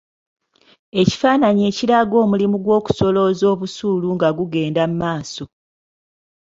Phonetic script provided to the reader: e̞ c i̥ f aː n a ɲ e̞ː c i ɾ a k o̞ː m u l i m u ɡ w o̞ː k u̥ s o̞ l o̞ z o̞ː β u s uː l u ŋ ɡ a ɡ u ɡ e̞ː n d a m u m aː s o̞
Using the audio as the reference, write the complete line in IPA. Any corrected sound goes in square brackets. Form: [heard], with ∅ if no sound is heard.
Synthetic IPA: e̞ c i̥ f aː n a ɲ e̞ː c i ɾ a [ɡ] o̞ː m u l i m u ɡ w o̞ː k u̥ s o̞ l o̞ z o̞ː β u s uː l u ŋ ɡ a ɡ u ɡ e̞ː n d a m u m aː s o̞